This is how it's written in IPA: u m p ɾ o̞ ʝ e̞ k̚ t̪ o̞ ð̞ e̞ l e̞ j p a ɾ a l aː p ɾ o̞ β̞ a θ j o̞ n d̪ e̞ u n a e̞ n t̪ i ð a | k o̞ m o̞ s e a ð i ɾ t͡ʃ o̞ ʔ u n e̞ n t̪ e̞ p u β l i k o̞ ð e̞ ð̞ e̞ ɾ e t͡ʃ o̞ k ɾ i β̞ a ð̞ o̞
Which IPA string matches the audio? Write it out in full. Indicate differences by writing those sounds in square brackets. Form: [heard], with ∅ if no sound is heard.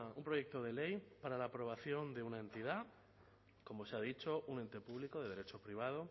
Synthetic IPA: u m p ɾ o̞ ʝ e̞ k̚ t̪ o̞ ð̞ e̞ l e̞ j p a ɾ a l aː p ɾ o̞ β̞ a θ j o̞ n d̪ e̞ u n a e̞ n t̪ i ð a | k o̞ m o̞ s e a ð i [∅] t͡ʃ o̞ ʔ u n e̞ n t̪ e̞ p u β l i k o̞ ð e̞ ð̞ e̞ ɾ e t͡ʃ o̞ [p] ɾ i β̞ a ð̞ o̞